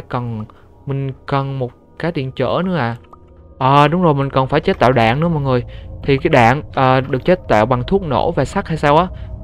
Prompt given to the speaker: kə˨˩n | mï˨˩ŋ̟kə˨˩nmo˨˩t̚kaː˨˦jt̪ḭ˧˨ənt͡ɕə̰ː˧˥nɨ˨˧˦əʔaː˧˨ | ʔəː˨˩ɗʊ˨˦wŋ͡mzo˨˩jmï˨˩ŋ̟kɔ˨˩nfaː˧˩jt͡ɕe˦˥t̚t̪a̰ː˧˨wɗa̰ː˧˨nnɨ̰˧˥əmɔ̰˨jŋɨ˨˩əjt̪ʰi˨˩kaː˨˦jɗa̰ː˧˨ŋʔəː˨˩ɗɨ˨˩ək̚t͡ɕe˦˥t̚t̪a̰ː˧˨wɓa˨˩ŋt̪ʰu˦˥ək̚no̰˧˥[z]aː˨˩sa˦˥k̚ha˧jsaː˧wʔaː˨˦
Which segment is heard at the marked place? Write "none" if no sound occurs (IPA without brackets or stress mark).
v